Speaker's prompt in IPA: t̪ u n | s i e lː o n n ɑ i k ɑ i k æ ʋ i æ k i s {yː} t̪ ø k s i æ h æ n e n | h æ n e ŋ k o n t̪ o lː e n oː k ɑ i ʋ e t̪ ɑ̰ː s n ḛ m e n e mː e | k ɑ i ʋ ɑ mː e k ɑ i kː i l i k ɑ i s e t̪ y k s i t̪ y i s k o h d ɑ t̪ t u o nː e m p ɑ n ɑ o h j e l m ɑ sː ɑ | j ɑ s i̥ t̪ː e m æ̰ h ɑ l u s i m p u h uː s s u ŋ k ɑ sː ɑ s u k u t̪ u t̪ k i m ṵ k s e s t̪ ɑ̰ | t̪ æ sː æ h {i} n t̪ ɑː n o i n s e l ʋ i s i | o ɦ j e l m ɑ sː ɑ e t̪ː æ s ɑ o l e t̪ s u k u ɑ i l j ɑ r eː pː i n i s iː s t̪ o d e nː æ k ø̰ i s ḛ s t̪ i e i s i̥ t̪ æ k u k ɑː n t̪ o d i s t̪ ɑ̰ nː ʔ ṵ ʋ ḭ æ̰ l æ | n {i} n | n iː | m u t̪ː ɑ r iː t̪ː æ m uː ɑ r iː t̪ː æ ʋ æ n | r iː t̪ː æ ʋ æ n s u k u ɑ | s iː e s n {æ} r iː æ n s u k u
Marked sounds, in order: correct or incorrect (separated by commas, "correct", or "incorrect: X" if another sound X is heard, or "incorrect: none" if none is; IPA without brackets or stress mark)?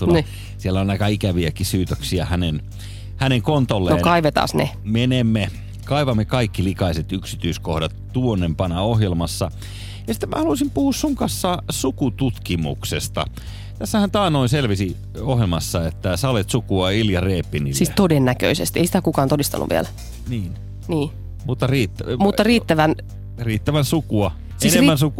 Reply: correct, incorrect: æ, incorrect: iː, incorrect: e